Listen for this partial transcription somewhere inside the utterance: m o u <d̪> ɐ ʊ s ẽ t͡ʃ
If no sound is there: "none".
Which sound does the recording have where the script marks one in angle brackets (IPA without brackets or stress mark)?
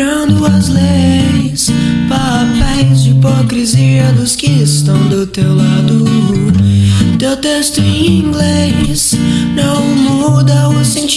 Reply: d̪